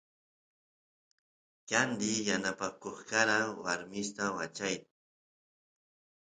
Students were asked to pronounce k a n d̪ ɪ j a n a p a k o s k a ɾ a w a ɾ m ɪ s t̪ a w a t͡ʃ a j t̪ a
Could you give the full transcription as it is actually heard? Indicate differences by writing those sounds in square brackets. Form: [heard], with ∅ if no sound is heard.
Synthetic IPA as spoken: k a n d̪ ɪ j a n a p a k o [χ] k a ɾ a w a ɾ m ɪ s t̪ a w a t͡ʃ a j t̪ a